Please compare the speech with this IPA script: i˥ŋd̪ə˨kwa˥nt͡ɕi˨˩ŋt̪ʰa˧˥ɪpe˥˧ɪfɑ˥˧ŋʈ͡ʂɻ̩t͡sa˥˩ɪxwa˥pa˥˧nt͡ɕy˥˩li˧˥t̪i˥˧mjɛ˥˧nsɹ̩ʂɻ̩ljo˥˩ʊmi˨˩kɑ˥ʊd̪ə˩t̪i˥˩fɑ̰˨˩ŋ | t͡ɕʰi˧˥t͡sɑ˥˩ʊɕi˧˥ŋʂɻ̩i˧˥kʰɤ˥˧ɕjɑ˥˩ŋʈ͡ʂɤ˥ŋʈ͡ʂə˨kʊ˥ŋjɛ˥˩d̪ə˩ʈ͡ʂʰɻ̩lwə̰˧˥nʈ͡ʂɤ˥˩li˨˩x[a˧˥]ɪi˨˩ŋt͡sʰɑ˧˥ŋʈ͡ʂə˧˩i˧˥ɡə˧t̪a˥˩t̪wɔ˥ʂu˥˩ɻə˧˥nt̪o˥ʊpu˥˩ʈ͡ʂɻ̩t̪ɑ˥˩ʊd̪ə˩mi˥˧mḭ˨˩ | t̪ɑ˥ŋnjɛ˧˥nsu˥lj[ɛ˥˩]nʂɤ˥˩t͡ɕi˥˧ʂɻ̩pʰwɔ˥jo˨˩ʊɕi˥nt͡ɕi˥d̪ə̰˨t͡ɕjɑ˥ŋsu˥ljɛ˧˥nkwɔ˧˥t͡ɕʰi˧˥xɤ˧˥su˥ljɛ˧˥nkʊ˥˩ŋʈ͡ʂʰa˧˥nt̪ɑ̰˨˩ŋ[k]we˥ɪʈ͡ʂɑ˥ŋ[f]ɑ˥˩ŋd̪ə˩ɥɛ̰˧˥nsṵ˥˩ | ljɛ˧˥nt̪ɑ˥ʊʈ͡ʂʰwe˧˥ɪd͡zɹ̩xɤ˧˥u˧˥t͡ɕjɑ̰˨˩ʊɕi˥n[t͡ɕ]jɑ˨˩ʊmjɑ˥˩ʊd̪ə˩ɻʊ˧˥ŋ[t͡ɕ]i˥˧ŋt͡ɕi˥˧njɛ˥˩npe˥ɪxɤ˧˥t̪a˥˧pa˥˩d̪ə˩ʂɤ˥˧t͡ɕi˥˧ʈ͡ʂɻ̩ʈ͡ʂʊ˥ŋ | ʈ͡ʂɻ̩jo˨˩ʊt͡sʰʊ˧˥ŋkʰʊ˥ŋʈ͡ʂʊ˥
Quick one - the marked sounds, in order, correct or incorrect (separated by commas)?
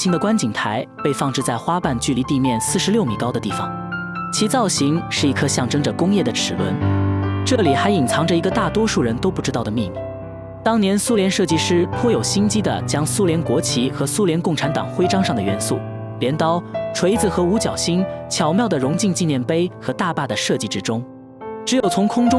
correct, incorrect, incorrect, incorrect, incorrect, correct